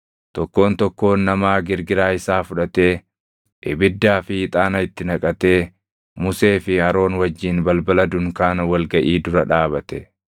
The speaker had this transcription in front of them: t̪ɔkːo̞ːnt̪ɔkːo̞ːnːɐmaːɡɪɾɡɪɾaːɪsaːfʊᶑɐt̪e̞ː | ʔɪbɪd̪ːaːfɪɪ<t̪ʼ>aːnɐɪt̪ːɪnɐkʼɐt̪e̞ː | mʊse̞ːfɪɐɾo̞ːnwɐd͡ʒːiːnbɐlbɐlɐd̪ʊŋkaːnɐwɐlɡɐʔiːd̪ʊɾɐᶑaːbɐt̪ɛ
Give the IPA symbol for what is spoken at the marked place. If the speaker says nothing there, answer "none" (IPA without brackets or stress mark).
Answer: t̪ʼ